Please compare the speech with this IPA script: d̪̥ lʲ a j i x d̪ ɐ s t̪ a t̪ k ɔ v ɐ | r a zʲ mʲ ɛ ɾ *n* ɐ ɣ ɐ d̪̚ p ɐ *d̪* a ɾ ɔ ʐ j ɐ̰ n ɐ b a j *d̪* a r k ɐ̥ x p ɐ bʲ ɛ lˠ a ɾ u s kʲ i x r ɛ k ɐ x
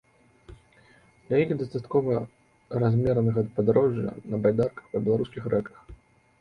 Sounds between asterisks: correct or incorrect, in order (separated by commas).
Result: correct, correct, correct